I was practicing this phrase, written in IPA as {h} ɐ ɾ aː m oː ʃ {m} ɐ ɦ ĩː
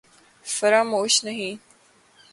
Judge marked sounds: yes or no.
no, no

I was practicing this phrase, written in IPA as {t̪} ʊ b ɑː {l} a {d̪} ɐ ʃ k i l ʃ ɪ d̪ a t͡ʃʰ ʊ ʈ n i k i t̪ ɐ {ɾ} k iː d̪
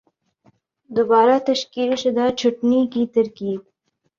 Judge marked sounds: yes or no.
no, no, no, yes

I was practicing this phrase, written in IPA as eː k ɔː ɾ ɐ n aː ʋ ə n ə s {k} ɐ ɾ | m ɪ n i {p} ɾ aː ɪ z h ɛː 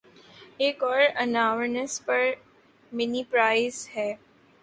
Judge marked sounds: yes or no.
no, yes

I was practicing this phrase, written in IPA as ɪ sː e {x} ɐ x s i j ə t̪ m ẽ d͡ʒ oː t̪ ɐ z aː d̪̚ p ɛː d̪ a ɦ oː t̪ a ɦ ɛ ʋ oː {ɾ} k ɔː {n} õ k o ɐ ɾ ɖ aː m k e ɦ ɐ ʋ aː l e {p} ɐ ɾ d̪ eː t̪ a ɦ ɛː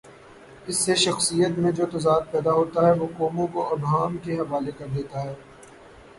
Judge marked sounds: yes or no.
no, no, no, no

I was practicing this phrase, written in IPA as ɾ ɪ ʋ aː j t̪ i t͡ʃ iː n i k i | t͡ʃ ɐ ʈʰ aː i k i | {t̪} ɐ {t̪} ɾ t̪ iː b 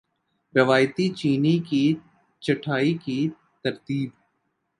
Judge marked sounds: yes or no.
yes, no

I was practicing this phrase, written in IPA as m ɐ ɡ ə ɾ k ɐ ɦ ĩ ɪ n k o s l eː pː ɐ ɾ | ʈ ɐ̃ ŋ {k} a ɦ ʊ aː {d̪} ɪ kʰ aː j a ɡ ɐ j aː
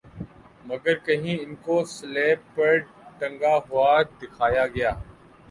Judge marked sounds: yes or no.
no, yes

